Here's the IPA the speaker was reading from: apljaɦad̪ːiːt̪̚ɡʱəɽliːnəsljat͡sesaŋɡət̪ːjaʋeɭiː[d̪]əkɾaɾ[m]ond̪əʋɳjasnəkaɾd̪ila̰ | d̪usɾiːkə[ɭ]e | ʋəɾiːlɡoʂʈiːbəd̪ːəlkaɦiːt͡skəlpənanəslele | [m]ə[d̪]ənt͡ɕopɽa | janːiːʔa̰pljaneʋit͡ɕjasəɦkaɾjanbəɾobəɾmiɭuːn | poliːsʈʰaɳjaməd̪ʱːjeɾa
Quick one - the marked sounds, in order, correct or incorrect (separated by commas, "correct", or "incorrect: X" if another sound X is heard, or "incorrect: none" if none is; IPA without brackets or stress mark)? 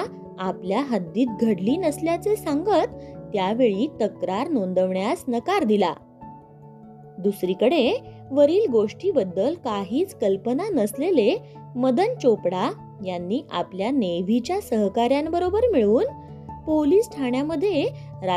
incorrect: t̪, incorrect: n, incorrect: ɽ, correct, correct